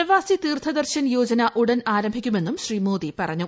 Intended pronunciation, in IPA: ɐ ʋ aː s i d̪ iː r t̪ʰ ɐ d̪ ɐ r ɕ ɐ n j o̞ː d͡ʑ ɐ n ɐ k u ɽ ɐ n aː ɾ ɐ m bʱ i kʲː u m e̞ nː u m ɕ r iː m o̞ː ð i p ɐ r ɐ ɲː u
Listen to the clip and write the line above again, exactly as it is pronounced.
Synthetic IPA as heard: ɐ ʋ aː s i t̪ iː r t̪ʰ ɐ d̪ ɐ r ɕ ɐ n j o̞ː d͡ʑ ɐ n ɐ ʔ u ɽ ɐ n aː ɾ ɐ m bʱ i kʲː u m e̞ nː u m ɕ r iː m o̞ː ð i p ɐ r ɐ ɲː u